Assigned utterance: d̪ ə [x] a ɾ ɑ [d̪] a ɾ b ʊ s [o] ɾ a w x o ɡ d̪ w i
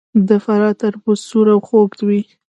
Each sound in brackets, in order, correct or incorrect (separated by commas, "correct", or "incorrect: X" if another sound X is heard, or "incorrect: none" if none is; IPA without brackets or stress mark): incorrect: f, incorrect: t̪, incorrect: u